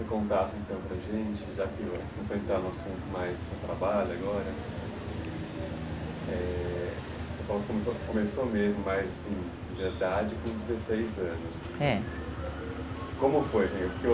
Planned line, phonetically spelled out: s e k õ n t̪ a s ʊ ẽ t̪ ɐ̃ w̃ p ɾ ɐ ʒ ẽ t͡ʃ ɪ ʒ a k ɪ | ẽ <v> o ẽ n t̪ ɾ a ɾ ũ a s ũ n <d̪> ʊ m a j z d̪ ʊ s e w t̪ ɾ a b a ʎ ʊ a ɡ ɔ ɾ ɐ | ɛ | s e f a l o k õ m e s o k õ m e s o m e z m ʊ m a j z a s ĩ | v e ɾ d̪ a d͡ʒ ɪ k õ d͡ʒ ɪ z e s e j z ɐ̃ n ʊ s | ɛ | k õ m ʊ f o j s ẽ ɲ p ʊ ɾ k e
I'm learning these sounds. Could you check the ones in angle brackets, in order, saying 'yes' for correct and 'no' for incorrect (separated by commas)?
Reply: no, no